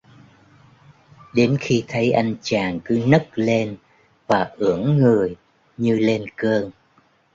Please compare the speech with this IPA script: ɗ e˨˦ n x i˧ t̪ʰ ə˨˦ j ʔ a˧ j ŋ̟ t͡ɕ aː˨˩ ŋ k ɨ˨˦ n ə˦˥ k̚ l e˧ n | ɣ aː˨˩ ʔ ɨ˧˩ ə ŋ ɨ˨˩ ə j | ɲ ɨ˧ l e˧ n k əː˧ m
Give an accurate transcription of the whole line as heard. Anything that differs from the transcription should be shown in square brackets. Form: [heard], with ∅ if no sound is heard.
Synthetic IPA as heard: ɗ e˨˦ n x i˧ t̪ʰ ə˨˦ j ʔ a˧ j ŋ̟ t͡ɕ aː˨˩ ŋ k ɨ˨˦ n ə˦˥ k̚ l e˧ n | [v] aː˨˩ ʔ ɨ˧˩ ə [ŋː] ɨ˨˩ ə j | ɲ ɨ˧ l e˧ n k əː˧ [ŋ]